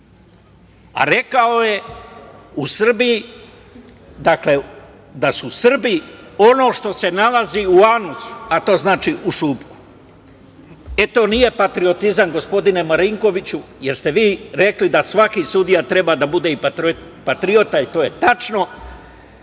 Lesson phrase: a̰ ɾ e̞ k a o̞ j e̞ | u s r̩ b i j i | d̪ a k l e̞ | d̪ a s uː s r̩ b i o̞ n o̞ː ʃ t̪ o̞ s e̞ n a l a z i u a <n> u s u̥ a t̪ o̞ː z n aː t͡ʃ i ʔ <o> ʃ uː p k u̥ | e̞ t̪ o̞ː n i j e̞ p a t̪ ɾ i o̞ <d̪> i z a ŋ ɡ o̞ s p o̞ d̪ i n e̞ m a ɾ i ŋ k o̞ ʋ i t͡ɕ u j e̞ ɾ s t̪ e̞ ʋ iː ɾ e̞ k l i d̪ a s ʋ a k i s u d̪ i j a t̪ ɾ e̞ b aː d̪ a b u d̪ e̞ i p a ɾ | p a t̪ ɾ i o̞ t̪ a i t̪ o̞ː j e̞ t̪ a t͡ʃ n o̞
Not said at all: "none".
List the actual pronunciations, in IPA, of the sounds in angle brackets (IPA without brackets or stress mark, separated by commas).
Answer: n, u, t̪